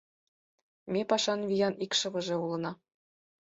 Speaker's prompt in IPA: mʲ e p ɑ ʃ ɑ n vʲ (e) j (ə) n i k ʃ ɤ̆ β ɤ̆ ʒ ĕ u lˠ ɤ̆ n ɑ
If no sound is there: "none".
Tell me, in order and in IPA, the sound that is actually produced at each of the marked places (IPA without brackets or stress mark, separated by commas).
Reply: i, ɑ